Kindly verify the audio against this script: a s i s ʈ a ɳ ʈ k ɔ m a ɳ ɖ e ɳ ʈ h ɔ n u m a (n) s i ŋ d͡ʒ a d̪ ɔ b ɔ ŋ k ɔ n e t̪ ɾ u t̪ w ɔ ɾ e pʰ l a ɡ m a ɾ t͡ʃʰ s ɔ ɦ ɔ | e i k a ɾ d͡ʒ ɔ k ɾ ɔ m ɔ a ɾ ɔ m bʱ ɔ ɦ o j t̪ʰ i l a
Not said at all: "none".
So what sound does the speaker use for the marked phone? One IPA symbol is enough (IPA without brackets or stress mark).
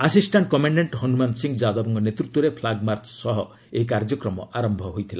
n